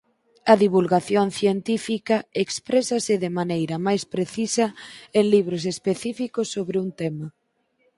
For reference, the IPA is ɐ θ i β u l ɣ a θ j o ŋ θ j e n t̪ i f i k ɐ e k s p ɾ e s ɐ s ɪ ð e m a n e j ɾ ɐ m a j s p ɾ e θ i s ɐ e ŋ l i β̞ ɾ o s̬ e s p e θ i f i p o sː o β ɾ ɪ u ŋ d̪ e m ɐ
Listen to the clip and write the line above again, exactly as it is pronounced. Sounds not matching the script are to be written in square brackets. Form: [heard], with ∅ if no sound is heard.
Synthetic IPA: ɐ [ð] i β u l ɣ a θ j o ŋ θ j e n t̪ i f i k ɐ e k s p ɾ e s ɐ s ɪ ð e m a n e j ɾ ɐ m a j s p ɾ e θ i s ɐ e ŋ l i β̞ ɾ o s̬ e s p e θ i f i [k] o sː o β ɾ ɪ u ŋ [t̪] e m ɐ